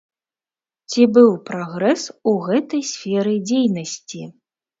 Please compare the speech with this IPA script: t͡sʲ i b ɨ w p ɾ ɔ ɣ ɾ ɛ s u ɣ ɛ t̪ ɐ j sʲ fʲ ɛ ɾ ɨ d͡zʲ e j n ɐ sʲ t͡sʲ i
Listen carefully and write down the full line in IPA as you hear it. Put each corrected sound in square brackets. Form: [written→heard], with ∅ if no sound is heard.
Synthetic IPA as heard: t͡sʲ i b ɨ w p ɾ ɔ ɣ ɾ ɛ s u ɣ ɛ t̪ ɐ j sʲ fʲ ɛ ɾ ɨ d͡zʲ e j n ɐ sʲ t͡sʲ i